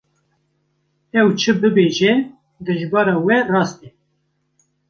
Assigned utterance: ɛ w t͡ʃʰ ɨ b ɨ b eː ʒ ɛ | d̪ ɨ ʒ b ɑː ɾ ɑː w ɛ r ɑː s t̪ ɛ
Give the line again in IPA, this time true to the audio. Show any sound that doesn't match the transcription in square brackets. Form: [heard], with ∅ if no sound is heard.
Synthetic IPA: ɛ w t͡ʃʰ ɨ b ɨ b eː ʒ ɛ | d̪ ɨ ʒ b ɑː ɾ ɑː w ɛ r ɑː s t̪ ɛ

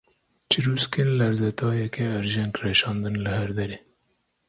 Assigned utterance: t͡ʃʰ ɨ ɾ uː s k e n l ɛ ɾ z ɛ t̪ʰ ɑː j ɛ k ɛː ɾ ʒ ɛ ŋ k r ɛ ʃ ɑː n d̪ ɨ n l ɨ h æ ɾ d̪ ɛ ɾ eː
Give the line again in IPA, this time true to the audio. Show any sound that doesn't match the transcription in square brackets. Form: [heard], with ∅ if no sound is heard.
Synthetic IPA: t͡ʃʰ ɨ ɾ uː s k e n l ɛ ɾ z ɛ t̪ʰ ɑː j ɛ k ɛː ɾ ʒ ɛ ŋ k r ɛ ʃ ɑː n d̪ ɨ n l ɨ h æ ɾ d̪ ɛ ɾ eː

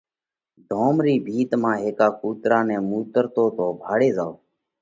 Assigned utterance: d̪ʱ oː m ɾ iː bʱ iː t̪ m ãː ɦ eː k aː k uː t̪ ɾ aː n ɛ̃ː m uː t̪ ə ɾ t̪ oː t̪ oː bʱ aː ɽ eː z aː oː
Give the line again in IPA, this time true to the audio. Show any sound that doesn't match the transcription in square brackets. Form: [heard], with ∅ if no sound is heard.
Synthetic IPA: d̪ʱ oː m ɾ iː bʱ iː t̪ m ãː ɦ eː k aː k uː t̪ ɾ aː n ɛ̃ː m uː t̪ ə ɾ t̪ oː t̪ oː bʱ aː ɽ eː z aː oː

